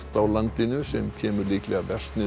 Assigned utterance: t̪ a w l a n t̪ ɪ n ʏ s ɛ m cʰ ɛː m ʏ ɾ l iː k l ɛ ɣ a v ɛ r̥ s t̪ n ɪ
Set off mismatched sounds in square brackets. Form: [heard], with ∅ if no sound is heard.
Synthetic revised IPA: t̪ a w l a n t̪ ɪ n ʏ s ɛ m cʰ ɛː m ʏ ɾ l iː k l ɛ ɣ a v ɛ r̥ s t̪ n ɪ